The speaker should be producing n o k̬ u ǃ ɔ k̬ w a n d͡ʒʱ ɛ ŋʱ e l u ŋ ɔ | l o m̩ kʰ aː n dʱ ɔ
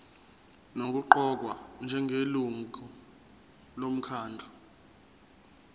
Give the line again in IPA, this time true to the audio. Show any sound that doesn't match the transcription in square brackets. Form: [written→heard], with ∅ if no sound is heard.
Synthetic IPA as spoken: n o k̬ u ǃ ɔ k̬ w a n d͡ʒʱ ɛ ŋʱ e l u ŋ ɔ | l o m̩ kʰ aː n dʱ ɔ